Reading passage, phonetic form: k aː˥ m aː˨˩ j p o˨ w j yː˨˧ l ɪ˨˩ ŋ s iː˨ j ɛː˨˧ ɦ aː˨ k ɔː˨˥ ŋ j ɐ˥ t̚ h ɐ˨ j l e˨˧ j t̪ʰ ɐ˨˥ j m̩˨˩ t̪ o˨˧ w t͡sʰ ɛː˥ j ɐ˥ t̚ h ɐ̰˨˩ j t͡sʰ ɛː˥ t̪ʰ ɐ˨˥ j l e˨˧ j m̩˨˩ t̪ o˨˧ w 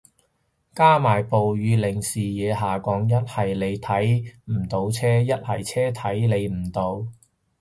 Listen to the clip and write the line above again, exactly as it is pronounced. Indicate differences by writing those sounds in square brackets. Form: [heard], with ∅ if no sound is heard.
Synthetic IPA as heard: k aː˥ m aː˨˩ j p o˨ w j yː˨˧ l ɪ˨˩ ŋ s iː˨ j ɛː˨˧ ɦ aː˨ k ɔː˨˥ ŋ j ɐ˥ t̚ h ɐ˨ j l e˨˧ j t̪ʰ ɐ˨˥ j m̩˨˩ t̪ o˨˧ w t͡sʰ ɛː˥ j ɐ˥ t̚ h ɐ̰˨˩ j t͡sʰ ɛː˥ t̪ʰ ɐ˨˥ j l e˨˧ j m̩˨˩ t̪ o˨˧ w

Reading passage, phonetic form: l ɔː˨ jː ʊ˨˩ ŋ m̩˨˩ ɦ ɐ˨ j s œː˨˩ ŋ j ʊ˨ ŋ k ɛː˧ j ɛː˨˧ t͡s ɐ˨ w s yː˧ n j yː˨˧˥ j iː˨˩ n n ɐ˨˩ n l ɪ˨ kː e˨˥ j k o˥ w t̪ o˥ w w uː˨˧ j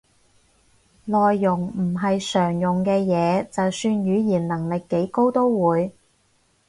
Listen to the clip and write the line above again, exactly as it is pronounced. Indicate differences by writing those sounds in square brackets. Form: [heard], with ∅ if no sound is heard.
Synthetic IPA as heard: l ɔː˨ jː ʊ˨˩ ŋ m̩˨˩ ɦ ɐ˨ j s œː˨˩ ŋ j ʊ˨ ŋ k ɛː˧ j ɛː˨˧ t͡s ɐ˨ w s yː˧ n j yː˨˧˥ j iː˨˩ n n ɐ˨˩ [ŋ] l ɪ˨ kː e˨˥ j k o˥ w t̪ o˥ w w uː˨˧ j

